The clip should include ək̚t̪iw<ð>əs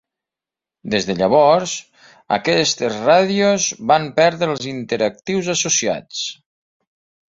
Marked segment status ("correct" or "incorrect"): incorrect